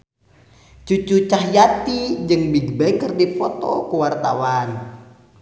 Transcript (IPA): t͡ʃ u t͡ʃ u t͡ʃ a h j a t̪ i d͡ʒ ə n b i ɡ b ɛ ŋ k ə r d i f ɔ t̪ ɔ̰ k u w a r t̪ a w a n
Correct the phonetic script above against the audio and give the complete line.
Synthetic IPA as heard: t͡ʃ u t͡ʃ u t͡ʃ a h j a t̪ i d͡ʒ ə ŋ b i ɡ b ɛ ŋ k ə r d i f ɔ t̪ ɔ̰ k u w a r t̪ a w a n